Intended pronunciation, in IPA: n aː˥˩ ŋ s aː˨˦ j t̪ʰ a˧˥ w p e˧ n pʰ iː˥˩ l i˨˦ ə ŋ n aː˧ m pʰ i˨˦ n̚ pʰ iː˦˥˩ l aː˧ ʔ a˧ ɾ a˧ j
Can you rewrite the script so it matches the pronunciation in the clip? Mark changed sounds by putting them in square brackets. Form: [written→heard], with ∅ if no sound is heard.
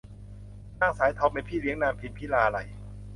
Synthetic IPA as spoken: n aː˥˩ ŋ s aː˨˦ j t̪ʰ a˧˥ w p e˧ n pʰ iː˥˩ l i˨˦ ə ŋ n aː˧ m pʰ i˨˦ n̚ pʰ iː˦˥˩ l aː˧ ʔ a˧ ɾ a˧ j